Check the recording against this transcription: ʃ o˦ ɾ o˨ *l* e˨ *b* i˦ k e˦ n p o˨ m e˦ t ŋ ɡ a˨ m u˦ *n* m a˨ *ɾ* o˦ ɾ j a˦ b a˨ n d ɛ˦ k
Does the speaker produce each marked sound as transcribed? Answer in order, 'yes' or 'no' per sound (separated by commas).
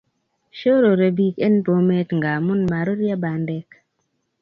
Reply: no, yes, yes, yes